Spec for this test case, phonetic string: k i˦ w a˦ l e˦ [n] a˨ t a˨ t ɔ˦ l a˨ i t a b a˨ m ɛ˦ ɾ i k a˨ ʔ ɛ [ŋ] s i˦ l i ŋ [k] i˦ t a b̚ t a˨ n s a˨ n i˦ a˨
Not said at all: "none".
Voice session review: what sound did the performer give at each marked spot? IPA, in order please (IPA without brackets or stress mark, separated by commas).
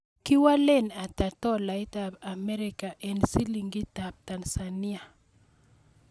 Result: n, n, ɡ